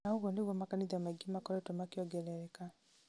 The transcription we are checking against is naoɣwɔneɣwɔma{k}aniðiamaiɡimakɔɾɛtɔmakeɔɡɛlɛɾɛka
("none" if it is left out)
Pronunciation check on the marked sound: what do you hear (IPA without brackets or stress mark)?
k